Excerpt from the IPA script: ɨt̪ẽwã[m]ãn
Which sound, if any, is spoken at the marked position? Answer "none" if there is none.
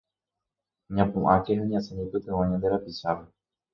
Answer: ɲ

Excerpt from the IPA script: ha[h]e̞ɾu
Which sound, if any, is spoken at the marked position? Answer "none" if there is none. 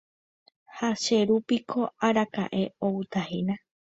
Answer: ʃ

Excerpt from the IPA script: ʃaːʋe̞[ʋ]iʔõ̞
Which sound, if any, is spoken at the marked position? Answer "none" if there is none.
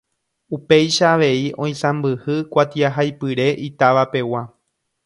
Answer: none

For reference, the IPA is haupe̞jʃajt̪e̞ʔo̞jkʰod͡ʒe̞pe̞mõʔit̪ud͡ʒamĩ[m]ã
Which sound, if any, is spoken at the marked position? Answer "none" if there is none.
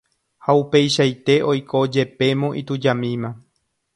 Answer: m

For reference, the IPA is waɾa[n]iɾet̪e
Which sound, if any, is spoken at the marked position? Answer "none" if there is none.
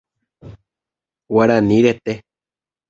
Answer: n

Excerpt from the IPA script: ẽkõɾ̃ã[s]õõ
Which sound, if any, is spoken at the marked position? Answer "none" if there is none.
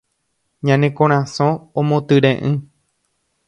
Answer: s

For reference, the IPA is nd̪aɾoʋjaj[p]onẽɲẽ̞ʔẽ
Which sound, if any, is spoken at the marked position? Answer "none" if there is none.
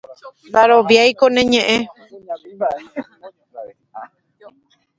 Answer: k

